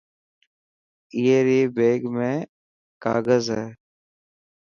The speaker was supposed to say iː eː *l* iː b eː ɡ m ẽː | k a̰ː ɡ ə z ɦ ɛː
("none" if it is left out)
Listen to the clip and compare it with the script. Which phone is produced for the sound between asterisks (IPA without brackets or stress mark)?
ɾ